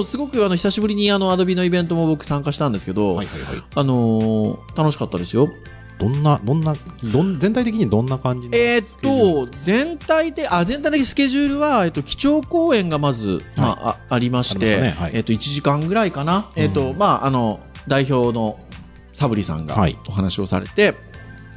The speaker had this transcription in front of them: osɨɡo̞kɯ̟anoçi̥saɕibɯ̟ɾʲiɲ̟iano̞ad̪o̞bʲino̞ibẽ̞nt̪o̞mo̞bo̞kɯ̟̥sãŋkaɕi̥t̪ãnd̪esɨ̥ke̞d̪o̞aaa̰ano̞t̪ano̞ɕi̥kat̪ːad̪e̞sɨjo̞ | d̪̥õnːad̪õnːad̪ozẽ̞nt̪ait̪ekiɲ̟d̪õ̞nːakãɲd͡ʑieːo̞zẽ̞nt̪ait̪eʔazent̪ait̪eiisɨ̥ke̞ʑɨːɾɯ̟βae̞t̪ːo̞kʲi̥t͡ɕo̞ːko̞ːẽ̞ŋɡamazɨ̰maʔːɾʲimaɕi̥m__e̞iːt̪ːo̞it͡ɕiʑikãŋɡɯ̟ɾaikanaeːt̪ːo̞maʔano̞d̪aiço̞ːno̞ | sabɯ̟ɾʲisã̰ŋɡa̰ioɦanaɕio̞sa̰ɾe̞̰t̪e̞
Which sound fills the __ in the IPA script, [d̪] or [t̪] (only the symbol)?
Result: t̪